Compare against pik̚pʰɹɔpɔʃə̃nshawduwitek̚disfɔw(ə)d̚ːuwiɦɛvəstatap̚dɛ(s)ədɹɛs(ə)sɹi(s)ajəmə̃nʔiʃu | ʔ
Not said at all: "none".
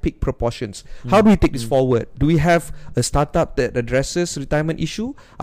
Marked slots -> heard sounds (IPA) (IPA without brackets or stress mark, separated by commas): ə, t, ə, t